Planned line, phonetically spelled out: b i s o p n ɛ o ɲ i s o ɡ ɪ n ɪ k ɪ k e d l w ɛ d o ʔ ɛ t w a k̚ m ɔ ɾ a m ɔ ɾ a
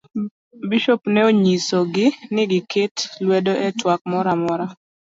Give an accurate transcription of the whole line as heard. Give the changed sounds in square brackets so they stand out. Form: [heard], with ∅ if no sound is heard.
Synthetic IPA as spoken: b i [ʃ] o p n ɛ o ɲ i s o ɡ ɪ n ɪ [ɡ] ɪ k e [t] l w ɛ d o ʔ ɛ t w a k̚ m ɔ ɾ a m ɔ ɾ a

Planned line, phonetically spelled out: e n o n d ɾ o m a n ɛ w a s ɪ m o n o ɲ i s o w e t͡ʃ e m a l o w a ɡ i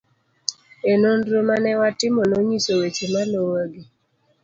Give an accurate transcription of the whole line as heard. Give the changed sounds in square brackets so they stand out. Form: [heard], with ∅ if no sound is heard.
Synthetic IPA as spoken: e n o n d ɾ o m a n ɛ w a [t] ɪ m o n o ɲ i s o w e t͡ʃ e m a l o w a ɡ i

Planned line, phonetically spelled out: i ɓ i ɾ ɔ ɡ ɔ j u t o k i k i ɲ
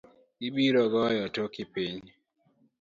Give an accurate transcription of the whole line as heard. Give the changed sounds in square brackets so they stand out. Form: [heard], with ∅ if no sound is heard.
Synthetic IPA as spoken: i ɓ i ɾ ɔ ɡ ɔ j [ɔ] t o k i [p] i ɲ

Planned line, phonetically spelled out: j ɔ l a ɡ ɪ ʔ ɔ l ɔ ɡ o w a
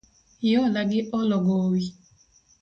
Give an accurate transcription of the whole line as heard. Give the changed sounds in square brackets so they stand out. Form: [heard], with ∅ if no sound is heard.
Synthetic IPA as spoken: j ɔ l a ɡ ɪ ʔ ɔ l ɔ ɡ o w [i]

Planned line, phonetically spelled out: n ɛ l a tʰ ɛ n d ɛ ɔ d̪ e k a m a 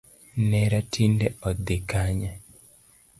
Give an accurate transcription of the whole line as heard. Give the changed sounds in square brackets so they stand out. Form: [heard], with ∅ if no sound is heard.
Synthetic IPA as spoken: n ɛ [ɾ] a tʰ [i] n d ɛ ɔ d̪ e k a [ɲ] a

